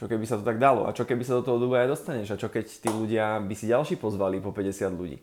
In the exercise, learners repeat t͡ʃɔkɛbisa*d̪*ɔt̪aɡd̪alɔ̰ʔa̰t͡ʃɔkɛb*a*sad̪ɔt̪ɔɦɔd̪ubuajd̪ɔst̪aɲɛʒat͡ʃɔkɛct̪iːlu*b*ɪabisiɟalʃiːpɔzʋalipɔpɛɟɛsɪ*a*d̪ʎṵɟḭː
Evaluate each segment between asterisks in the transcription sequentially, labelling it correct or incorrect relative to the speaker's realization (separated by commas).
incorrect, incorrect, incorrect, correct